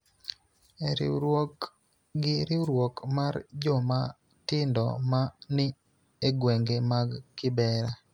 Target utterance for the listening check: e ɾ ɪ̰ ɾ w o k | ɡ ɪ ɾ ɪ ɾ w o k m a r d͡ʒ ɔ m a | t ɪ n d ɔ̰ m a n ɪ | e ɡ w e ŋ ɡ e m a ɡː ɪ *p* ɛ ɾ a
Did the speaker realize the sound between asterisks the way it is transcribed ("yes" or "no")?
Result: no